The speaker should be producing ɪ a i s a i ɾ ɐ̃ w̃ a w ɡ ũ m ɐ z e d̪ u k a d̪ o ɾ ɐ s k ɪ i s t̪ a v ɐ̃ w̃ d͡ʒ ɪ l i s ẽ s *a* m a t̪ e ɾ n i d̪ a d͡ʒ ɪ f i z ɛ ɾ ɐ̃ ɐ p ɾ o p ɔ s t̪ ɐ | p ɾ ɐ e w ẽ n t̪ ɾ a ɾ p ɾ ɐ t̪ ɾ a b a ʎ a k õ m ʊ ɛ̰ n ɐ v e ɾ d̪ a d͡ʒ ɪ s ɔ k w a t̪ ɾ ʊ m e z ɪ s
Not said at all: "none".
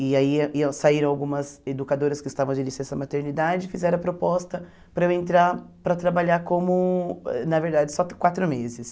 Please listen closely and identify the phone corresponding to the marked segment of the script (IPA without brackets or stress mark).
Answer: ɐ